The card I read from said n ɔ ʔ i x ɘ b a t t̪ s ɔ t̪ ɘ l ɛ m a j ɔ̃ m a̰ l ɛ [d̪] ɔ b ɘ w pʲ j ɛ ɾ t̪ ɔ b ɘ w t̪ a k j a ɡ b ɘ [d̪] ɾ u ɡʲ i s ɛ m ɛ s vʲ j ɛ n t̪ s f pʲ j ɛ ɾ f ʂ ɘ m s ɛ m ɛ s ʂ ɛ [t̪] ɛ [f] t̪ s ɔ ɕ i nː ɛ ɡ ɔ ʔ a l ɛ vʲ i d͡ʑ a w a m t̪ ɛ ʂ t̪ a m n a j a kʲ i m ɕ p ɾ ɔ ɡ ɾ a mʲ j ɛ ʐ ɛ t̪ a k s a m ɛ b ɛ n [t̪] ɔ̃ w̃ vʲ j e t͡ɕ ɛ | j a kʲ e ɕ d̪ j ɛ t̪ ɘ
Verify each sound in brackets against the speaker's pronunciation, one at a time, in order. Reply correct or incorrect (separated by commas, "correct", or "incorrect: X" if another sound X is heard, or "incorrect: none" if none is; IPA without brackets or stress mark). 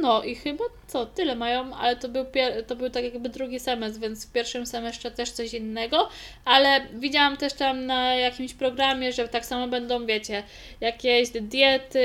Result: incorrect: t̪, correct, correct, incorrect: ʂ, incorrect: d̪